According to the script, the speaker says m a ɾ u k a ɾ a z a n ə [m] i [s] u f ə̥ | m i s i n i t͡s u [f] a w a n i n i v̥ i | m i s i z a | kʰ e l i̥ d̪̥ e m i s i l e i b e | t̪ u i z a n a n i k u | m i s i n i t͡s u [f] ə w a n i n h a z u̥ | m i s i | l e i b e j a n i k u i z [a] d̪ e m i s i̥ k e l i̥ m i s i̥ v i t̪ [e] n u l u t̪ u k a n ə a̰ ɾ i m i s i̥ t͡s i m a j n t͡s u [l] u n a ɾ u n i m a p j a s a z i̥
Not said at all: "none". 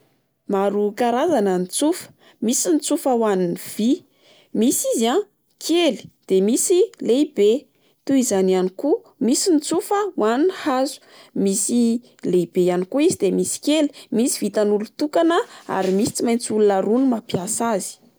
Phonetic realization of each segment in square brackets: n, t͡s, f, f, i, a, l

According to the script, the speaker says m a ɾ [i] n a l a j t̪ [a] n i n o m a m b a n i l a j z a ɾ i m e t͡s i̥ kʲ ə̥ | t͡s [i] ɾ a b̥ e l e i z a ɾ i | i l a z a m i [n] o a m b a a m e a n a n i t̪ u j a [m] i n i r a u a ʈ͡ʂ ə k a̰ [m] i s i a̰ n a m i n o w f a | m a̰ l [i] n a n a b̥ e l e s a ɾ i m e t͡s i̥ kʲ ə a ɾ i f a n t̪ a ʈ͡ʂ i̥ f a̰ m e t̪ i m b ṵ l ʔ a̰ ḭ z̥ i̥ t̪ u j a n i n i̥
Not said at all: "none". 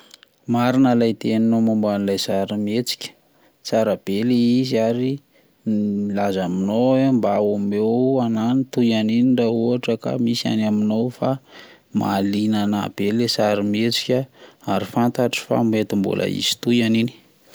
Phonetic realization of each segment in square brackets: i, e, a, n, n, m, i

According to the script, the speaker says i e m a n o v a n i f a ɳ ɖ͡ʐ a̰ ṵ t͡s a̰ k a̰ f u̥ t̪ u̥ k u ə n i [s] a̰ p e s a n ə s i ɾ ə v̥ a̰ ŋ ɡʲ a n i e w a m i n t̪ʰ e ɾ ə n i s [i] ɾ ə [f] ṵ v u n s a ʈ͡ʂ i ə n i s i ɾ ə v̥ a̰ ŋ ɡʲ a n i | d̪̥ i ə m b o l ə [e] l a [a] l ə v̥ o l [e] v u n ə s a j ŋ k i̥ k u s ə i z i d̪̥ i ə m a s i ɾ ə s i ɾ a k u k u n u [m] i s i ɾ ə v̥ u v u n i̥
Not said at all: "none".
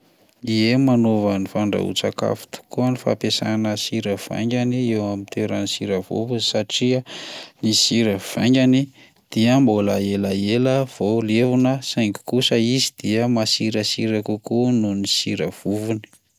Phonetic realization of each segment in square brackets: f, i, v, e, e, e, n

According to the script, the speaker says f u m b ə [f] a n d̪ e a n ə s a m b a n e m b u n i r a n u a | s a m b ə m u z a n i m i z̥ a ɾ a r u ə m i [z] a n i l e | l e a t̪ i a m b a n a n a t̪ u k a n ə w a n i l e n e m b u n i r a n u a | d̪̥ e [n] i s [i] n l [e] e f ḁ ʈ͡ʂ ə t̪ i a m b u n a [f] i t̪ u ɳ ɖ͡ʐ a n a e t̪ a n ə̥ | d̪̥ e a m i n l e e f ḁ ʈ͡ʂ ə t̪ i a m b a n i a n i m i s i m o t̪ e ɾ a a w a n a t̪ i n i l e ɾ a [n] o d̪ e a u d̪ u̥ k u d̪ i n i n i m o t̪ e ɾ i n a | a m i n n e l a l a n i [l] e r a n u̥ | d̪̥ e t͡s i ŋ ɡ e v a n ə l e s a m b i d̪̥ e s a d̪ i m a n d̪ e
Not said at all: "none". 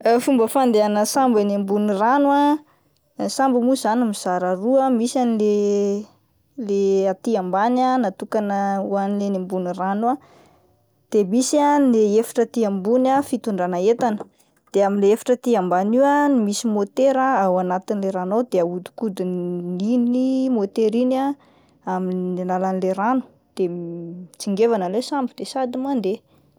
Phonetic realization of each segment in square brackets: f, s, m, a, e, f, n, l

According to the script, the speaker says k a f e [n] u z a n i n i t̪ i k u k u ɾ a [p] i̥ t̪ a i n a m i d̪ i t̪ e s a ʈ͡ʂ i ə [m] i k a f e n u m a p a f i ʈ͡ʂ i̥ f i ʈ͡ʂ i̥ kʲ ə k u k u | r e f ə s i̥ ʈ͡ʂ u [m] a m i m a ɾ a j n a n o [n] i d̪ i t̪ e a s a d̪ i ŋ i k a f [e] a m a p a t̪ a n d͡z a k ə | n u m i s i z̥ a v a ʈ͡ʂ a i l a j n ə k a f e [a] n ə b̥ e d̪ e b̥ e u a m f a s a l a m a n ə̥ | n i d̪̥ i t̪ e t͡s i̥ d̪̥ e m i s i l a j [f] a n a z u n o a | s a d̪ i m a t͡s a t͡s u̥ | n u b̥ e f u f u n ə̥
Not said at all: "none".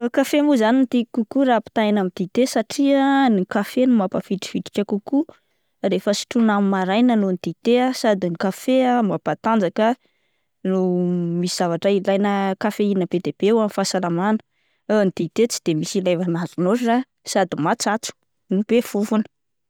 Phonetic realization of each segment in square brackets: m, p, n, n, n, e, i, v

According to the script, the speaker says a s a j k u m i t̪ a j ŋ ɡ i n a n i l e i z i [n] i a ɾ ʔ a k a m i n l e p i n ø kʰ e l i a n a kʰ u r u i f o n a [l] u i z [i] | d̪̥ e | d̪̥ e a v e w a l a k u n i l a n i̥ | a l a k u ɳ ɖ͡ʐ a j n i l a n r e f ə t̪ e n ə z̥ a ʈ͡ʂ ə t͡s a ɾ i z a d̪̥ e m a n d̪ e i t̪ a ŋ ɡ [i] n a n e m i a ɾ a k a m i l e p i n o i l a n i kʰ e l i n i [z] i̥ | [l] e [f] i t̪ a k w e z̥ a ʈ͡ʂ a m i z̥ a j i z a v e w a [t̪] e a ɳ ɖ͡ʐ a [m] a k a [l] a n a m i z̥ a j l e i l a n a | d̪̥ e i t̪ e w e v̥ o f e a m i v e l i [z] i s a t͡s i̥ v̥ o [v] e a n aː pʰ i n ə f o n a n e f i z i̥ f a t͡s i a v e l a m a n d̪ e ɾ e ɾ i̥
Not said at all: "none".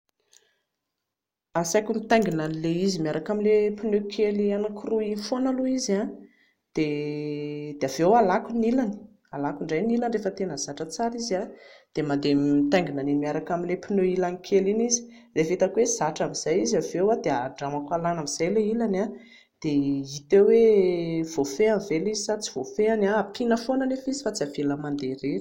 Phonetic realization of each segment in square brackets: m, l, a, i, z, r, f, d̪, m, l, z, f

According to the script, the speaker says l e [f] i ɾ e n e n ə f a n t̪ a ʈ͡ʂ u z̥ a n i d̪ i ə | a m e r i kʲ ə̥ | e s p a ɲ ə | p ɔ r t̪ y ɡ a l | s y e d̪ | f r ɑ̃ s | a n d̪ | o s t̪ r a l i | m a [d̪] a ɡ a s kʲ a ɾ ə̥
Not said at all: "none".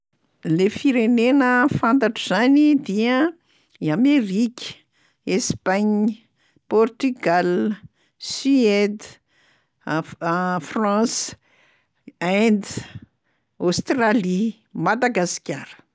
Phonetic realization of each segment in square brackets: f, d̪

